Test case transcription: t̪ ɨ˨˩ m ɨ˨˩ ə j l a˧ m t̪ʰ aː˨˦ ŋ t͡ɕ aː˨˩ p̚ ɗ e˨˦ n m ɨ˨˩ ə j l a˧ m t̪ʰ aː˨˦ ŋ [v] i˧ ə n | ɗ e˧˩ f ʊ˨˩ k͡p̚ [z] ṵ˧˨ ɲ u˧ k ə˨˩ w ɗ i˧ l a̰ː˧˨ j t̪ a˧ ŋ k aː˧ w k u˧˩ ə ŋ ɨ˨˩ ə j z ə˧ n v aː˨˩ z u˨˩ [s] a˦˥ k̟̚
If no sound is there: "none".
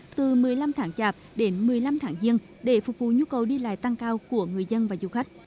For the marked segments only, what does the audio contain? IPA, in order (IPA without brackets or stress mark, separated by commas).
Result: z, v, x